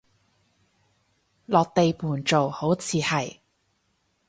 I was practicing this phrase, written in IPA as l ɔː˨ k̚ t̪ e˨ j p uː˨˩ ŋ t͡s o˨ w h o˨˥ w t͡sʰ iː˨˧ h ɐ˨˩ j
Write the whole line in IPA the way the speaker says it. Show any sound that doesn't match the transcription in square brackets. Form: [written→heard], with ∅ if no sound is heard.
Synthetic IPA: l ɔː˨ k̚ t̪ e˨ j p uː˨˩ [ŋ→n] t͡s o˨ w h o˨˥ w t͡sʰ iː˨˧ h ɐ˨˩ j